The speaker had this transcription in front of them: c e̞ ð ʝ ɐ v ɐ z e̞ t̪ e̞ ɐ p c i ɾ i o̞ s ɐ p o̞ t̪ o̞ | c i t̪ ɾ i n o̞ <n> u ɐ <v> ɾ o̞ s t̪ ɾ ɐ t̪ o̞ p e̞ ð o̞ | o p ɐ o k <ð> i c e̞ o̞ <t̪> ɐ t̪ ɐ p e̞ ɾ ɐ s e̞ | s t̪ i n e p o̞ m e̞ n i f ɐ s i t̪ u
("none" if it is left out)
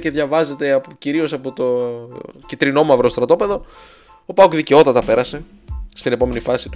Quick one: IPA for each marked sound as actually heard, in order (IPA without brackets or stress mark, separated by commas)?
m, v, ð, t̪